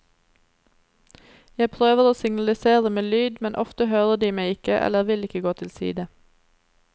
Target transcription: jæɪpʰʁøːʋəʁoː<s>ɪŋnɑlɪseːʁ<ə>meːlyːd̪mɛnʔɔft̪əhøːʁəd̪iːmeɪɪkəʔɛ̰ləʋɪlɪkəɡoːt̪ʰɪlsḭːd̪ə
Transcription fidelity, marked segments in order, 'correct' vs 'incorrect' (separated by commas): correct, correct